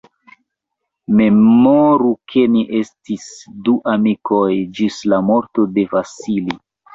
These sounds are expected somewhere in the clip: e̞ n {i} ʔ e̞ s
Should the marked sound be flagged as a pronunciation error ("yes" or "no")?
no